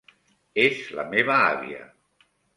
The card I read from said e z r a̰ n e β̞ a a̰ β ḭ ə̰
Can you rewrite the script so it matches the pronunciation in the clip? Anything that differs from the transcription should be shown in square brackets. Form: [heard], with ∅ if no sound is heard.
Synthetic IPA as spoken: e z [l] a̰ [m] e β̞ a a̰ β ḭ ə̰